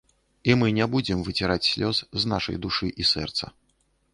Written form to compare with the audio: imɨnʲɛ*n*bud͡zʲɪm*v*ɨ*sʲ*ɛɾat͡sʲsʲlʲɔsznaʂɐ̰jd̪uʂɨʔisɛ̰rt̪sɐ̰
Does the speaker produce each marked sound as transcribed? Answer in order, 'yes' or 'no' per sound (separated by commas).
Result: no, yes, no